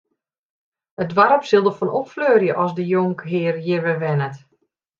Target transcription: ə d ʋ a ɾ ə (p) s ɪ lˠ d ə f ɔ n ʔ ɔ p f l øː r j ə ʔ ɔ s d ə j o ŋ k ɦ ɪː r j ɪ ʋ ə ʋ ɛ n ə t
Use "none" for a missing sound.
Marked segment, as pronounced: p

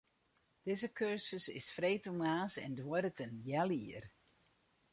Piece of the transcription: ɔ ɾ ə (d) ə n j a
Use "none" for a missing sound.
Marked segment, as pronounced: t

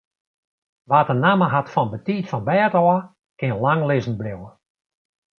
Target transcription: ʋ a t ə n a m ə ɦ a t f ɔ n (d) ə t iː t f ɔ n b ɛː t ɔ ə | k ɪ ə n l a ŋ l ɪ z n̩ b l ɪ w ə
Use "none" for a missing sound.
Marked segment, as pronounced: b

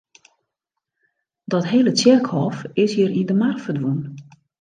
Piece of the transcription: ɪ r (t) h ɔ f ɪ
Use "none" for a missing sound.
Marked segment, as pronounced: k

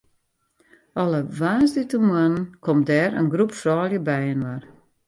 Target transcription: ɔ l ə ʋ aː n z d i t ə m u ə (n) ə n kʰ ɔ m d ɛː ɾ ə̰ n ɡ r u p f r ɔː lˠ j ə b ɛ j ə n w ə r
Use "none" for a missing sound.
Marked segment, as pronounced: n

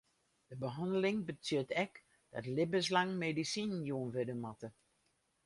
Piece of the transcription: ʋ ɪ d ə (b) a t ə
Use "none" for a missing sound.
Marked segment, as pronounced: m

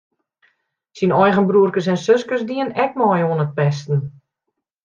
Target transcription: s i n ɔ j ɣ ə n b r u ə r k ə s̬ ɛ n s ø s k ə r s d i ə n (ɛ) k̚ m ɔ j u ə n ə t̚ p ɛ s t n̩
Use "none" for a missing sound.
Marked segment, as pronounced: ɛ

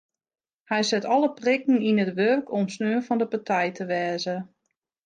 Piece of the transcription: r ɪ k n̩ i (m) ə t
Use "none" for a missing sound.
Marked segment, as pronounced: n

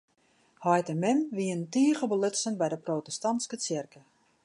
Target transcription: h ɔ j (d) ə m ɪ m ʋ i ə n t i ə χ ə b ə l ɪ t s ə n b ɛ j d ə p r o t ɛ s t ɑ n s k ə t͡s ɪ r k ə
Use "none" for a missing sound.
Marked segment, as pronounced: t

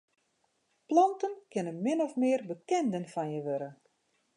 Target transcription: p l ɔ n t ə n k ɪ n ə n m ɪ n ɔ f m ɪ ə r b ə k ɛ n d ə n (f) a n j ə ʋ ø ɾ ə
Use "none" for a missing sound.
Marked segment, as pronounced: f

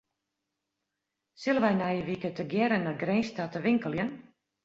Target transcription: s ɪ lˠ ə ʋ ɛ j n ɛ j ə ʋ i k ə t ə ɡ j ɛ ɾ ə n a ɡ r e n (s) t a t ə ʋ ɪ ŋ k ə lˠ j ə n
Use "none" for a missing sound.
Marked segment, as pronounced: s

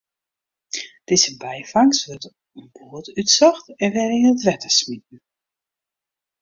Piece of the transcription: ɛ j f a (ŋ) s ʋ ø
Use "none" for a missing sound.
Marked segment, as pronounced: ŋ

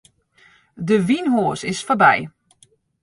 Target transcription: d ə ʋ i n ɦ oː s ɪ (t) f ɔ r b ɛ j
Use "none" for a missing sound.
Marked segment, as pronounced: s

